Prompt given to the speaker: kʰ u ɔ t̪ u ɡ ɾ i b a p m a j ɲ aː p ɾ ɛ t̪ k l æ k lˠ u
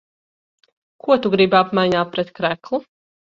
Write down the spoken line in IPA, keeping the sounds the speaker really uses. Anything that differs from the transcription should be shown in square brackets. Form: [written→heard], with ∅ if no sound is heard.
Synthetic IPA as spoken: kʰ u ɔ t̪ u ɡ ɾ i b a p m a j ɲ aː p ɾ ɛ t̪ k [l→ɾ] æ k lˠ u